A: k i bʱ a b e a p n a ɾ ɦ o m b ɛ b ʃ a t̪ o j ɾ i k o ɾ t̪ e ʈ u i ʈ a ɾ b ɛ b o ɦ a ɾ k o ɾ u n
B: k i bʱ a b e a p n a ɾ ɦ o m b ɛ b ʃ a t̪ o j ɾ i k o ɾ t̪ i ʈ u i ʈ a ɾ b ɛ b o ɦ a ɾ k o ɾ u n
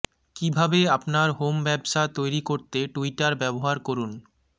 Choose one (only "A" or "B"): A